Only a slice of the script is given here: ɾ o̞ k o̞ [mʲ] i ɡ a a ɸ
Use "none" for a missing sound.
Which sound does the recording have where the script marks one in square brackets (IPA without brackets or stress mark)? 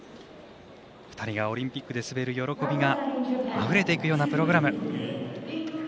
bʲ